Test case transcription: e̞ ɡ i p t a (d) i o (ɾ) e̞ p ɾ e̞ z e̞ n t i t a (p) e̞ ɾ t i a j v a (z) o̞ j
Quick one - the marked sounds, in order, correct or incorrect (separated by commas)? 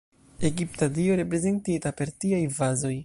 correct, correct, correct, correct